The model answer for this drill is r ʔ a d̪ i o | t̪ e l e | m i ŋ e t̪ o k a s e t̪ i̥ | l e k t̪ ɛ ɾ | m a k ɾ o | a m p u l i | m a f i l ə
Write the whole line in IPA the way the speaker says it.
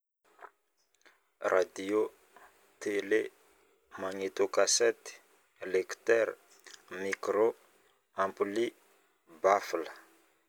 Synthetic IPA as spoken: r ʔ a d̪ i o | t̪ e l e | m a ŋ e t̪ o k a s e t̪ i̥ | l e k t̪ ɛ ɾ | m i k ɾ o | a m p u l i | b a f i l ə